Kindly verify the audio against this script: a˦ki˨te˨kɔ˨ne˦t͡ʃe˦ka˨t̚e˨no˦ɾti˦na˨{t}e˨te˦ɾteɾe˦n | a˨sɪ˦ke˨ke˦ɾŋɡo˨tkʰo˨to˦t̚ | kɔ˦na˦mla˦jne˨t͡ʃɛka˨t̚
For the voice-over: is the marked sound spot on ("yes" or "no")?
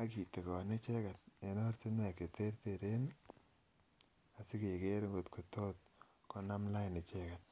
no